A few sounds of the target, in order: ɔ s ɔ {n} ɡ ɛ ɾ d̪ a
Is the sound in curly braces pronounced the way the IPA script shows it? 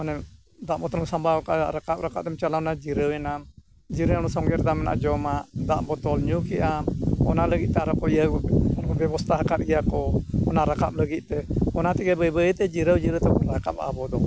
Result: no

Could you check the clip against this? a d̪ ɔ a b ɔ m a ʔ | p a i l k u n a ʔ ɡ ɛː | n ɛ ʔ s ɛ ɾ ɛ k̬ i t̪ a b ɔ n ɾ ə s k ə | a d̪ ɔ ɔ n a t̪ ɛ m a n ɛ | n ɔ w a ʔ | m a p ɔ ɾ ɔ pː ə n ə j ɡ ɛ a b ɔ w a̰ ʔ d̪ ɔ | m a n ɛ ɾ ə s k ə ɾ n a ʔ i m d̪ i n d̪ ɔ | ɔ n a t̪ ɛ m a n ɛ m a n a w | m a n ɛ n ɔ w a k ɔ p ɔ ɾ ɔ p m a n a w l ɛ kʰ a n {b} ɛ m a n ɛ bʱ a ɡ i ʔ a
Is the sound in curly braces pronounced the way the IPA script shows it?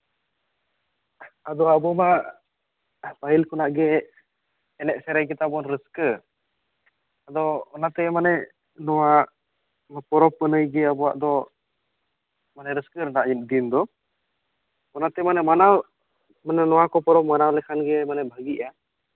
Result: no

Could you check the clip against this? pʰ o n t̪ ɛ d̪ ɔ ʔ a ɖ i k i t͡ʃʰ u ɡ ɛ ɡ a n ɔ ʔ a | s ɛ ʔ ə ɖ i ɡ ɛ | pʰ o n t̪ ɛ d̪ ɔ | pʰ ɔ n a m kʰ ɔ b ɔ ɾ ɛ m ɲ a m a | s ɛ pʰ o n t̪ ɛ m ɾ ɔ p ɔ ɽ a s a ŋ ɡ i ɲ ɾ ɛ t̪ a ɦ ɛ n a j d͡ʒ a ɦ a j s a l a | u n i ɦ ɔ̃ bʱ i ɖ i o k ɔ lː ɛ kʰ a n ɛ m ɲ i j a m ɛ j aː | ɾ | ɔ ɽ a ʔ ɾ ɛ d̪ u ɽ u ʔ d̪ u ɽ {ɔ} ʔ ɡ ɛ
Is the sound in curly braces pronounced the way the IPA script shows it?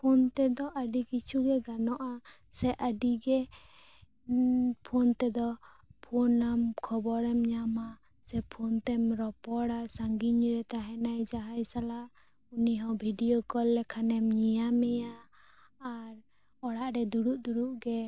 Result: no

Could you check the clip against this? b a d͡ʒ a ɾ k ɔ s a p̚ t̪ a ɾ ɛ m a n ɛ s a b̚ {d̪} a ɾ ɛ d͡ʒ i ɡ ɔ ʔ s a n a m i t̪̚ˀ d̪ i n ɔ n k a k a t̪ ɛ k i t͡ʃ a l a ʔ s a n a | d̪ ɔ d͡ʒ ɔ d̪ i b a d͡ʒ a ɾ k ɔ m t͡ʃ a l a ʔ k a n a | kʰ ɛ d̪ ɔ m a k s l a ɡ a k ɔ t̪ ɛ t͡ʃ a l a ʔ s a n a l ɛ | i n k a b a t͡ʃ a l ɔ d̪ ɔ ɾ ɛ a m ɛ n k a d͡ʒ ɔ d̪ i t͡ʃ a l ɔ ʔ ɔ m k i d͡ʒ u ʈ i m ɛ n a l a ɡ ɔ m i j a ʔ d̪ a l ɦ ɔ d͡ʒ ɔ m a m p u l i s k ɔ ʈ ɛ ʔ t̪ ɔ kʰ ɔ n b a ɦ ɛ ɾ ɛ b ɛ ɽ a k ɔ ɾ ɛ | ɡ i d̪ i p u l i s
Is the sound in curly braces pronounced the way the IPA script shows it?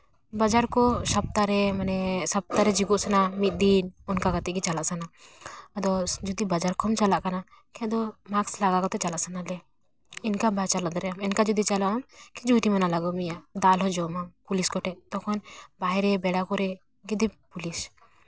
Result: no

